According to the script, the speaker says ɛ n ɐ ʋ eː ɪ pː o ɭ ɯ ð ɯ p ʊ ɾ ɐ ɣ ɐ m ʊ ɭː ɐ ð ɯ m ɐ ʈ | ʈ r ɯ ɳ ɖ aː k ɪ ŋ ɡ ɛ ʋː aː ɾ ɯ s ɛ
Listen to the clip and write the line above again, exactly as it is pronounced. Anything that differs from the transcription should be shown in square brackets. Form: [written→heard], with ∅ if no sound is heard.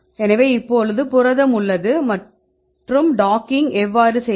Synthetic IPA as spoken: ɛ n ɐ ʋ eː ɪ pː o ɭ ɯ ð ɯ p ʊ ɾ ɐ [ɣ→ð] ɐ m ʊ ɭː ɐ ð ɯ m ɐ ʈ | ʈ r ɯ [ɳ→m] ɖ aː k ɪ ŋ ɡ ɛ ʋː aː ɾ ɯ s ɛ